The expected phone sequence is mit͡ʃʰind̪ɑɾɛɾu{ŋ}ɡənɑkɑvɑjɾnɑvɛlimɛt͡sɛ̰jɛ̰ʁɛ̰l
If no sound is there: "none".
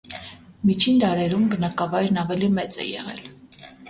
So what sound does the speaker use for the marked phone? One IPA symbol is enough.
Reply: m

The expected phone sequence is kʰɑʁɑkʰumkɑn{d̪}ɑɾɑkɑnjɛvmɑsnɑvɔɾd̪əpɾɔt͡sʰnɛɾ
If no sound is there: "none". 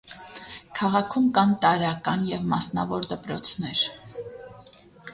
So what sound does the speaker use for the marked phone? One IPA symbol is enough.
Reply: t̪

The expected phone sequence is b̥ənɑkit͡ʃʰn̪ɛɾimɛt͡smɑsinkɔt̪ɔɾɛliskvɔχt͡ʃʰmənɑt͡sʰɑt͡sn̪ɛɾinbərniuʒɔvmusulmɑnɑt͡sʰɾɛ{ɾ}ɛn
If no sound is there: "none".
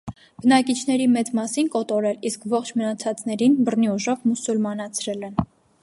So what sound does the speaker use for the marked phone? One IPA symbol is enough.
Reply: l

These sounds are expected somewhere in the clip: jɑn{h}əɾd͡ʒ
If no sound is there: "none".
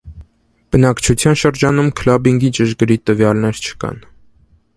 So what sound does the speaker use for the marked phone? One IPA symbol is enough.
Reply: ʃ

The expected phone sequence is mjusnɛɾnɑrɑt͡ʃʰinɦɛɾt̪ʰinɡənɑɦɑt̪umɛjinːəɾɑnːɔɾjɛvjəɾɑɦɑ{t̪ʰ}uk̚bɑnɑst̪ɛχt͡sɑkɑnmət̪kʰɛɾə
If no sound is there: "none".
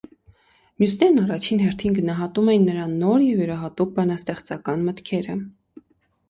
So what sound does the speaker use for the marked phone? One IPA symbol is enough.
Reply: t̪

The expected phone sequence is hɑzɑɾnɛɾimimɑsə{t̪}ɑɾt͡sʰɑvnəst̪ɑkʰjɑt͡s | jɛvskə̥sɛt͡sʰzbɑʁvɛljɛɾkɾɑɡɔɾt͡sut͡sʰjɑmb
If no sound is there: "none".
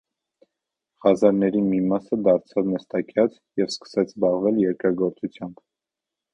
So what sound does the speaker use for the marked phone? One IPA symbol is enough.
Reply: d̪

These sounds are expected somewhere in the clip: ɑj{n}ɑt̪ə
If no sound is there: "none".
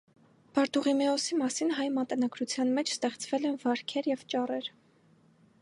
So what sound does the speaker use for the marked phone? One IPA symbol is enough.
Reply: m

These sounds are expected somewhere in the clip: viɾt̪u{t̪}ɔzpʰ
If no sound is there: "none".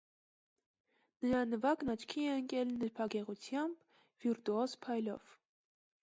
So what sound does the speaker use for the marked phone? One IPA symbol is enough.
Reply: none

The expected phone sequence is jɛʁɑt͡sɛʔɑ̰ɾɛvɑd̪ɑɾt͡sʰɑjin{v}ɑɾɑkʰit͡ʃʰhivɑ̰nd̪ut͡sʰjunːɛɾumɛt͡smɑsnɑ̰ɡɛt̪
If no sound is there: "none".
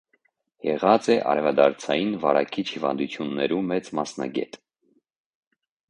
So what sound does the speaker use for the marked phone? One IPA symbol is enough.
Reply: v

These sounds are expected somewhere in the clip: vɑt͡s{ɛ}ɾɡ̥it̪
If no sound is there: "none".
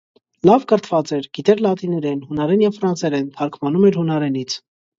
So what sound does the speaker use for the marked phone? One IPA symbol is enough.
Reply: ɛ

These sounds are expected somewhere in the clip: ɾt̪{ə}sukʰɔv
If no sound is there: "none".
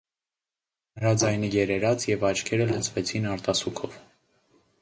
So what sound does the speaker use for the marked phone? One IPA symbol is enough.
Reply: ɑ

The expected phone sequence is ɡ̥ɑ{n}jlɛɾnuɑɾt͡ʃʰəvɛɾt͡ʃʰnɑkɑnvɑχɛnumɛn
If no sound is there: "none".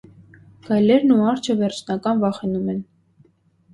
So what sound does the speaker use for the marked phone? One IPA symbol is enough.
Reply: none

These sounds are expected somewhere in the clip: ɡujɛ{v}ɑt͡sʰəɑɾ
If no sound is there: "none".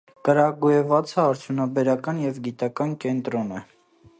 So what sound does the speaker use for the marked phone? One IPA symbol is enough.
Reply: v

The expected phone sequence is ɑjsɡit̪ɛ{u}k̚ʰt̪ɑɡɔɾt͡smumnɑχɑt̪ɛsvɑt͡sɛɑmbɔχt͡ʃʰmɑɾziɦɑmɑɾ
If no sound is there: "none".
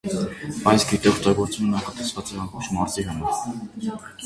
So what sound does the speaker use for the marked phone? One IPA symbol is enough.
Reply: ɔ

